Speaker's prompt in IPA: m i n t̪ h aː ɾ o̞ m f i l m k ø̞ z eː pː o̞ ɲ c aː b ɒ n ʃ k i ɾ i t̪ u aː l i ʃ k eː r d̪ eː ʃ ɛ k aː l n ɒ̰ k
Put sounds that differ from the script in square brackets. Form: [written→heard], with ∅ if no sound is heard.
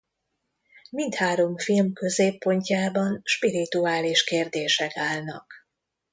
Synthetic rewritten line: m i n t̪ h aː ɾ o̞ m f i l m k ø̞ z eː pː o̞ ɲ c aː b ɒ n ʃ [k→p] i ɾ i t̪ u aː l i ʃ k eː r d̪ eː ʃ ɛ k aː l n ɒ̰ k